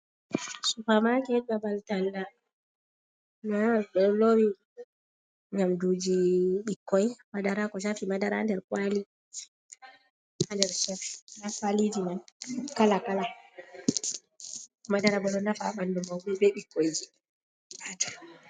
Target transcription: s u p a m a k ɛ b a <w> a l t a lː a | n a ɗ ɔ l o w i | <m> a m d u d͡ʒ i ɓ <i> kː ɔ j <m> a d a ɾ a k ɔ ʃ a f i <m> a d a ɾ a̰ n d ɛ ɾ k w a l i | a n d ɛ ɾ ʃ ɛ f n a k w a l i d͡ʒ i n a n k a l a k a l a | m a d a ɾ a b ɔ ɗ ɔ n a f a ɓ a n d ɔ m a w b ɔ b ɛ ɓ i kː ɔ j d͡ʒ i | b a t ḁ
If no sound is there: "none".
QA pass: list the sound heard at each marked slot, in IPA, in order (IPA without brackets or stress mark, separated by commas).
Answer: b, ɲ, i, m, m